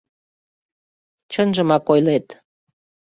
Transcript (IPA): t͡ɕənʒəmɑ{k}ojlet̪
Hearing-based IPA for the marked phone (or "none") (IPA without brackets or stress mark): k